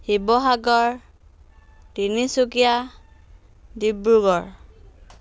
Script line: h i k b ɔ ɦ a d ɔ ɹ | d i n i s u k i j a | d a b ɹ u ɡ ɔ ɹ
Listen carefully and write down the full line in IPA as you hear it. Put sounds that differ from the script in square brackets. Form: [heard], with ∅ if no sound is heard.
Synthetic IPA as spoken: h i [∅] b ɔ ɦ a [ɡ] ɔ ɹ | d i n i s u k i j a | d [i] b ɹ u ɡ ɔ ɹ